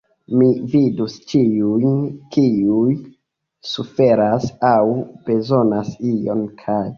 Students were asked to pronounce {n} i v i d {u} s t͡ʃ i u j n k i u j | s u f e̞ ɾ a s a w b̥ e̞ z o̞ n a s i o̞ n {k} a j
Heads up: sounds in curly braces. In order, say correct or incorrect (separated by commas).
incorrect, correct, incorrect